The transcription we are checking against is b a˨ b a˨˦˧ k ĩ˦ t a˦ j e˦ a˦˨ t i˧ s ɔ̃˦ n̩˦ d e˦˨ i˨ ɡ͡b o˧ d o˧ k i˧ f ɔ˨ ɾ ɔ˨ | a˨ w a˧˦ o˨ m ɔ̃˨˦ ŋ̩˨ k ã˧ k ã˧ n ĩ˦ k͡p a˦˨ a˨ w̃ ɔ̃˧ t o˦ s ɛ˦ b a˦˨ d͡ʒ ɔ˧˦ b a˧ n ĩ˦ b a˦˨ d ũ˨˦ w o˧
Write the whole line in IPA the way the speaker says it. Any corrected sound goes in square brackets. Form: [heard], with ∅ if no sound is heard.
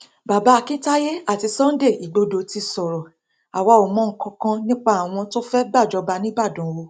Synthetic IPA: b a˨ b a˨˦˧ k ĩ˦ t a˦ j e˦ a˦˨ t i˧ s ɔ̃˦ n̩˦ d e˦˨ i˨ ɡ͡b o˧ d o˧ [t] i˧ [s] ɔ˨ ɾ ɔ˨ | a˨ w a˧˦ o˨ m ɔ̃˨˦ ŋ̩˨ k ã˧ k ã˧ n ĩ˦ k͡p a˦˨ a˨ w̃ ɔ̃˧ t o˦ [f] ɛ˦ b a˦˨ d͡ʒ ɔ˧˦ b a˧ n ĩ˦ b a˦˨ d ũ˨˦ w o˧